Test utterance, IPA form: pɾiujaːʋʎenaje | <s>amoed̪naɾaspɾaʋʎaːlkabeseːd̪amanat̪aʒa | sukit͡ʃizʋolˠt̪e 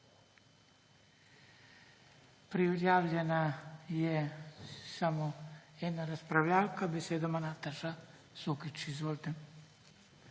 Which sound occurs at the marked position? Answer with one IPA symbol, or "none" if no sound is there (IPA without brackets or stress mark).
s